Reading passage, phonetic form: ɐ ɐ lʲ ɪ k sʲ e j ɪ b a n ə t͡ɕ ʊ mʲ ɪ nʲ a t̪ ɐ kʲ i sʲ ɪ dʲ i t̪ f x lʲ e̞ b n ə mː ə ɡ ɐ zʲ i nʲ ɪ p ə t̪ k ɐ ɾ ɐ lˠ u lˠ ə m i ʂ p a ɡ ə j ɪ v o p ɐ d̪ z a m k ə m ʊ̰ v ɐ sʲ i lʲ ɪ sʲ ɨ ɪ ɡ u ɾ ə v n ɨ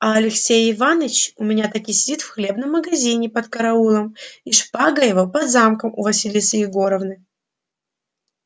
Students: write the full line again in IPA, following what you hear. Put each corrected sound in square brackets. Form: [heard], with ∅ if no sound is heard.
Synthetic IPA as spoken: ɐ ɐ lʲ ɪ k sʲ e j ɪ [v] a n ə t͡ɕ ʊ mʲ ɪ nʲ a t̪ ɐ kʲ i sʲ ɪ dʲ i t̪ f x lʲ e̞ b n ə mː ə ɡ ɐ zʲ i nʲ ɪ p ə t̪ k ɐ ɾ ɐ [∅] u lˠ ə m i ʂ p a ɡ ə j ɪ v o p ɐ d̪ z a m k ə m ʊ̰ v ɐ sʲ i lʲ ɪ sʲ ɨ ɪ ɡ [o] ɾ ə v n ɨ

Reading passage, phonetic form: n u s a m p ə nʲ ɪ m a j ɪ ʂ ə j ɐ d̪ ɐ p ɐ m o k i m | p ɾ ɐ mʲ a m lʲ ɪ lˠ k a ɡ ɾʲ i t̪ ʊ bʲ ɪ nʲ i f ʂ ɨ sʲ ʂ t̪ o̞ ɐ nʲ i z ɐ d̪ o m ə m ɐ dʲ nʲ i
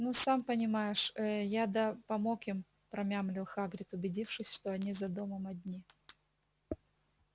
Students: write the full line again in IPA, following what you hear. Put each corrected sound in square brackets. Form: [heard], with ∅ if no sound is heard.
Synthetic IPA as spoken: n u s a m p ə nʲ ɪ m a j ɪ ʂ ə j [a] d̪ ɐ p ɐ m o k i m | p ɾ ɐ mʲ a m lʲ ɪ lˠ [x] a ɡ ɾʲ [ɪ] t̪ ʊ bʲ ɪ [dʲ] i f ʂ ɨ sʲ ʂ t̪ o̞ ɐ nʲ i z ɐ d̪ o m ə m ɐ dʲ nʲ i

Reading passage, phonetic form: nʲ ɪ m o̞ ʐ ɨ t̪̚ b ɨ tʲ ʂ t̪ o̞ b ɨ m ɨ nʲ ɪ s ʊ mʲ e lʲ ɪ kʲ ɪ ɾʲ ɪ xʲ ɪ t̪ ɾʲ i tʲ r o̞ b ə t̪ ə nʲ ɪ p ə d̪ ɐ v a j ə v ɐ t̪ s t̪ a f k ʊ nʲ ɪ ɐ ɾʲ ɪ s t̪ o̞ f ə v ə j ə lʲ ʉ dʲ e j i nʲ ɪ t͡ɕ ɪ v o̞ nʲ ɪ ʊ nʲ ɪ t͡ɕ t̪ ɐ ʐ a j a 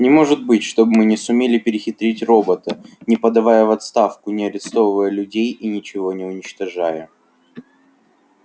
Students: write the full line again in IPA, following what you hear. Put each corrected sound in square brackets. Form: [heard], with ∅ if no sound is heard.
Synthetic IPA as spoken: nʲ ɪ m o̞ ʐ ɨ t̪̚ b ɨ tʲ ʂ t̪ o̞ b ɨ m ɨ nʲ ɪ s ʊ mʲ e lʲ ɪ [pʲ] ɪ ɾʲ ɪ xʲ ɪ t̪ ɾʲ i tʲ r o̞ b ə t̪ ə nʲ ɪ p ə d̪ ɐ v a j ə v ɐ t̪ s t̪ a f k ʊ nʲ ɪ ɐ ɾʲ ɪ s t̪ o̞ [v] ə v ə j ə lʲ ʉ dʲ e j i nʲ ɪ t͡ɕ ɪ v o̞ nʲ ɪ ʊ nʲ ɪ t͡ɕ t̪ ɐ ʐ a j [ə]

